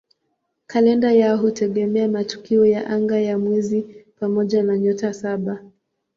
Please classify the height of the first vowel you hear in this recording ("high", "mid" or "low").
low